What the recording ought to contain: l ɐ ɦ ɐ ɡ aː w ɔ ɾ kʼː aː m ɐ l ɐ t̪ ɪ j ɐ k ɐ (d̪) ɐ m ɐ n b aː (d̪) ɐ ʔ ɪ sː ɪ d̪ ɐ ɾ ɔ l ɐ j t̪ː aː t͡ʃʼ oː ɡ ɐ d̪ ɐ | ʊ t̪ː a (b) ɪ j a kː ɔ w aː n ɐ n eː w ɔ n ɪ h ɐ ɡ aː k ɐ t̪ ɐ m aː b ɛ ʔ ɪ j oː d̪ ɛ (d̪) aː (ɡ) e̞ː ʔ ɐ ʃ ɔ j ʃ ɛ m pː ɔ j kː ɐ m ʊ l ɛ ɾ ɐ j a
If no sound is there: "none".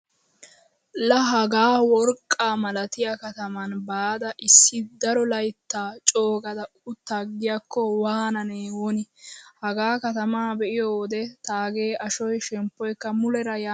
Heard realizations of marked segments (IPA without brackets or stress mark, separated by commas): t̪, d̪, ɡ, t̪, ɡ